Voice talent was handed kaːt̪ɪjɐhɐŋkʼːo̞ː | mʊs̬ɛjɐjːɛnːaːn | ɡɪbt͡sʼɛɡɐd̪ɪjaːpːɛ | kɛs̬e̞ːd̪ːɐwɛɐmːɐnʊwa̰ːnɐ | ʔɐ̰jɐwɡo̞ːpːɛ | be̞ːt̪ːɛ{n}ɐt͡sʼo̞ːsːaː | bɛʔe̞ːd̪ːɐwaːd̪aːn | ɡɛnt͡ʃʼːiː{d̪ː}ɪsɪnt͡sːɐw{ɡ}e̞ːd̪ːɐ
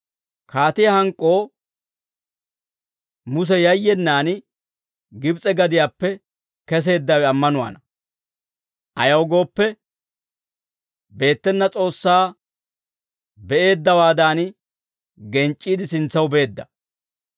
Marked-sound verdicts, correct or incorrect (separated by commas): incorrect, incorrect, incorrect